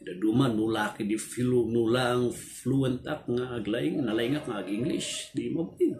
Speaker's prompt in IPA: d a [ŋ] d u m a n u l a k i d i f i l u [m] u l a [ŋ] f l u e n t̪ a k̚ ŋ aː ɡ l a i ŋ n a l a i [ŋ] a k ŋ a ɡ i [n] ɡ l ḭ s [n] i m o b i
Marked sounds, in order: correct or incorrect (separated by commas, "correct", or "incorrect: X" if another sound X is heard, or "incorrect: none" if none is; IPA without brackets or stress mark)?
incorrect: none, incorrect: n, correct, correct, incorrect: ŋ, incorrect: d